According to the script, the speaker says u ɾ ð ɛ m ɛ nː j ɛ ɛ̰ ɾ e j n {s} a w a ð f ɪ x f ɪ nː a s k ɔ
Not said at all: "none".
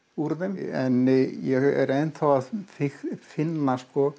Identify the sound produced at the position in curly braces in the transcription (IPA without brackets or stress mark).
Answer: θ